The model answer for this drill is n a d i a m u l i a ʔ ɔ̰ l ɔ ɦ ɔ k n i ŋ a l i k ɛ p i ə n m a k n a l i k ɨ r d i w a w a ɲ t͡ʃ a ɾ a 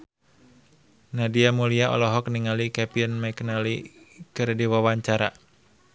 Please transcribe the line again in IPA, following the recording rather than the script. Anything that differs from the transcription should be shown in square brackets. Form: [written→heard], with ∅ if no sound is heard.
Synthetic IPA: n a d i a m u l i a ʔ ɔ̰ l ɔ ɦ ɔ k n i ŋ a l i k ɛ p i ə n m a k n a l i k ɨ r d i w a w a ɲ t͡ʃ a ɾ a